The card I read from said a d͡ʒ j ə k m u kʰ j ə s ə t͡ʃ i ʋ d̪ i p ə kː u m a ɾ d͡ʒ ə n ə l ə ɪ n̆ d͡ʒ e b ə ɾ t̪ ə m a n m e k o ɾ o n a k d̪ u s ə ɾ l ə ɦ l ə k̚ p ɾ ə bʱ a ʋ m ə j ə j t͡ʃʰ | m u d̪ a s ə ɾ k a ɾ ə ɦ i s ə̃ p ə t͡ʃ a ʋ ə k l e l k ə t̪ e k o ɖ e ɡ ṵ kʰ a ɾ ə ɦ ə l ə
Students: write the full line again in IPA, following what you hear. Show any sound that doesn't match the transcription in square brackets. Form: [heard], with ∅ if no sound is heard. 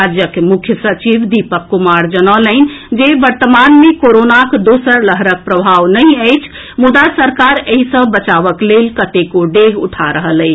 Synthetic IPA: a d͡ʒ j ə k m u kʰ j ə s ə t͡ʃ i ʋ d̪ i p ə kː u m a ɾ d͡ʒ ə n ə l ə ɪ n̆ d͡ʒ e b ə ɾ t̪ ə m a n m e k o ɾ o n a k d̪ [o] s ə ɾ l ə ɦ [ɾ] ə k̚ p ɾ ə bʱ a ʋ [n] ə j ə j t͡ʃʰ | m u d̪ a s ə ɾ k a ɾ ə ɦ i s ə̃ [b] ə t͡ʃ a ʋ ə k l e l k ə t̪ e k o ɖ e ɡ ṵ [ʈʰ] a ɾ ə ɦ ə l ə